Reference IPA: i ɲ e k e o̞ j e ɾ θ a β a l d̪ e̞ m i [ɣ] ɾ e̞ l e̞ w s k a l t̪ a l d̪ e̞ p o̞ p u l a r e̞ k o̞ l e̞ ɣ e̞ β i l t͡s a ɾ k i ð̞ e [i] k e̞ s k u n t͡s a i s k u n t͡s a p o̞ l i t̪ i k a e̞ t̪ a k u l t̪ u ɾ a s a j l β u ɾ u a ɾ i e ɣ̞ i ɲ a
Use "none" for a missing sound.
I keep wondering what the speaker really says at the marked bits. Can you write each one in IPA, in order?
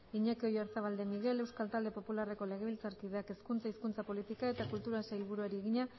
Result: ɣ, a

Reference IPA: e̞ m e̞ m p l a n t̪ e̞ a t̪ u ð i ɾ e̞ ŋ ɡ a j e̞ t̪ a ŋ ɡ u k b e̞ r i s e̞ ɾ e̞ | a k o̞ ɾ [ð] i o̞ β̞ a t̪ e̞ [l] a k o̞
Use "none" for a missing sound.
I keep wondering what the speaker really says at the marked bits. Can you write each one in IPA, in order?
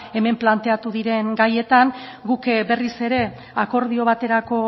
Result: ð, ɾ

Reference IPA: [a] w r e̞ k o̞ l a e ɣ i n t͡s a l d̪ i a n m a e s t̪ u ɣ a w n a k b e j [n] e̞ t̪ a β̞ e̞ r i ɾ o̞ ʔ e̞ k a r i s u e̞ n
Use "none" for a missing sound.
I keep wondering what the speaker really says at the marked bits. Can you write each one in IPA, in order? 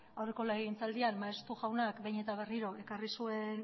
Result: a, ɲ

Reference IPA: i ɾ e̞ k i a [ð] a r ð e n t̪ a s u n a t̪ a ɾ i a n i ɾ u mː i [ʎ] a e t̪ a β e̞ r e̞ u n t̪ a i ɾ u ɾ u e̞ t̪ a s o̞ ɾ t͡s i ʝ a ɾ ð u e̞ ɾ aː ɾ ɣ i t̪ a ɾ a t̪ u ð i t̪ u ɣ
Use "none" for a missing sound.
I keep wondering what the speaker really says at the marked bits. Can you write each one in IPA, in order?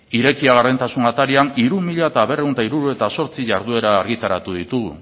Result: ɣ, ʎ

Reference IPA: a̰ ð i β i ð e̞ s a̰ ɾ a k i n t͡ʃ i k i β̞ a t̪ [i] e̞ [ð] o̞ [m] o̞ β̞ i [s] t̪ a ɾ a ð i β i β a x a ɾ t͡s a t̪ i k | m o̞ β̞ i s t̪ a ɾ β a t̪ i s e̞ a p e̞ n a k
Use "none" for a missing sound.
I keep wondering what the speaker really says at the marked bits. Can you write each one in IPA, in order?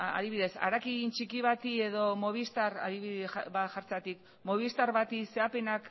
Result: i, ð, m, s

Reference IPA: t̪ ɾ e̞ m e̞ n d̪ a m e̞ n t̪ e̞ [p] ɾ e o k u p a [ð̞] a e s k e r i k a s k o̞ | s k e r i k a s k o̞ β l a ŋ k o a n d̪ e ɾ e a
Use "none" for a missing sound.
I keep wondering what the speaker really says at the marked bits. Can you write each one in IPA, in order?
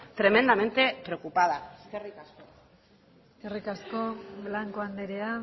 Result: p, ð̞

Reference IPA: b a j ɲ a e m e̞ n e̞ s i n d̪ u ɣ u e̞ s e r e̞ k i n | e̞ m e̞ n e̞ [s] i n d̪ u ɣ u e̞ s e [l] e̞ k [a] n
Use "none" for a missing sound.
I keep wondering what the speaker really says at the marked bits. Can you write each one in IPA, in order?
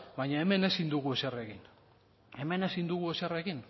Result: s, r, i

